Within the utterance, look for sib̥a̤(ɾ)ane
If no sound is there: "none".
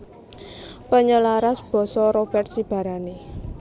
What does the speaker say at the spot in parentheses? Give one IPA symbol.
ɾ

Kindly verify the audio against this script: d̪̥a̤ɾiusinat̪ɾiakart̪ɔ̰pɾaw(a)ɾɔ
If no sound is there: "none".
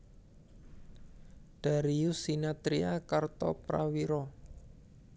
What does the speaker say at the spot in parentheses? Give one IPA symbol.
i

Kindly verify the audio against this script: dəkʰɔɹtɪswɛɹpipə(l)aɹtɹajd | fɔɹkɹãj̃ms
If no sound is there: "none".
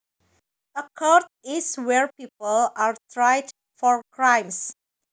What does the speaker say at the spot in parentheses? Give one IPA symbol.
l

